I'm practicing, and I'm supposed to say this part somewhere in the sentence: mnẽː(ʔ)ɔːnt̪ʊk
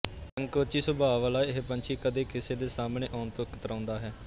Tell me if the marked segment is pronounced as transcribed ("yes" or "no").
yes